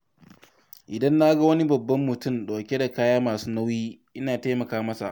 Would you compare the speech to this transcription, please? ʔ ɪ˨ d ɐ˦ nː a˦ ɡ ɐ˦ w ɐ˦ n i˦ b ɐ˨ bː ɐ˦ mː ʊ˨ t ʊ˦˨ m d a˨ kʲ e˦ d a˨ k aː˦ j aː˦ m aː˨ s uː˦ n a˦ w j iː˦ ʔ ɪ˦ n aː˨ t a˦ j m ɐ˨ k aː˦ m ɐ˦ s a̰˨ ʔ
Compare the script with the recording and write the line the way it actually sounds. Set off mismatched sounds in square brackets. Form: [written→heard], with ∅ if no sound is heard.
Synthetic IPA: ʔ ɪ˨ d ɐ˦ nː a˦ ɡ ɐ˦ w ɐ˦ n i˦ b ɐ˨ bː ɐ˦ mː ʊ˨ t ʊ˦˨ m [d→ɗ] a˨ kʲ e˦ d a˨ k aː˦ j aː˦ m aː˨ s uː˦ n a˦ w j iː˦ ʔ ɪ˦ n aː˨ t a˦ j m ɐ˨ k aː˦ m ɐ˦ s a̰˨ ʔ

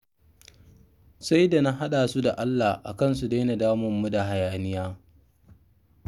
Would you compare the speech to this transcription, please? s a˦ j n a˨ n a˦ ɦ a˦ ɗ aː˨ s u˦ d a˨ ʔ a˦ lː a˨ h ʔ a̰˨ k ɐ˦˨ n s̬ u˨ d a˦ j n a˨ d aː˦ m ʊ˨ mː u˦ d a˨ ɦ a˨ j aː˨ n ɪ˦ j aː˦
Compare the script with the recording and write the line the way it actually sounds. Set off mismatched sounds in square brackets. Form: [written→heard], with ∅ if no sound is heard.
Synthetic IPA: s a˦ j [n→d] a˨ n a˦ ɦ a˦ ɗ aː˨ s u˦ d a˨ ʔ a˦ lː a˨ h ʔ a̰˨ k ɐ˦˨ n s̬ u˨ d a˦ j n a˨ d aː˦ m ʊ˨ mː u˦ d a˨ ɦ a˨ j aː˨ n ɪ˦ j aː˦

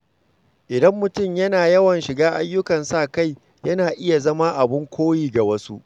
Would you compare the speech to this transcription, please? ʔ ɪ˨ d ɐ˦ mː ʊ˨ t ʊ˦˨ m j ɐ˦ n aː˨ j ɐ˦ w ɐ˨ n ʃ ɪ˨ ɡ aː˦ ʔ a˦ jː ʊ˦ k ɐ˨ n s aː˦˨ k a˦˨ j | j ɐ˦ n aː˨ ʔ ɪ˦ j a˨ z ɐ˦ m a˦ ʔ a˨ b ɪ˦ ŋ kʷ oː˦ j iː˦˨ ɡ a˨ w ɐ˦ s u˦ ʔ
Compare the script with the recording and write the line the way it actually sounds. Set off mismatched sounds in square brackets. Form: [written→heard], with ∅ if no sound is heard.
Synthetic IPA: ʔ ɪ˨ d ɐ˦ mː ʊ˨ t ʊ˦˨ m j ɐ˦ n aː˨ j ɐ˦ w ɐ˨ n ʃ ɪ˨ ɡ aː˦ ʔ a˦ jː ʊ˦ k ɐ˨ n s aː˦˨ k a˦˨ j | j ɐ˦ n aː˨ ʔ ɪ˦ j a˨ z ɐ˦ m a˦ ʔ a˨ b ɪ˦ ŋ kʷ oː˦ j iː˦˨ ɡ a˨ w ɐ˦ s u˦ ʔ

